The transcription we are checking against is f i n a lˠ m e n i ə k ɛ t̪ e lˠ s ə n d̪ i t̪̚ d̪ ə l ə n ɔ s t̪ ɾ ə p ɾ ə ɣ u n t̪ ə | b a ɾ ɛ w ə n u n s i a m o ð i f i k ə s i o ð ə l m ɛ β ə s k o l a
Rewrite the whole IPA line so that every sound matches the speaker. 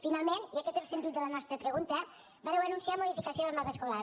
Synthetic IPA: f i n a lˠ m e n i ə k ɛ t̪ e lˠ s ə n t̪ i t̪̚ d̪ ə l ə n ɔ s t̪ ɾ ə p ɾ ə ɣ u n t̪ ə | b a ɾ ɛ w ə n u n s i a m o ð i f i k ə s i o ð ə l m a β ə s k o l a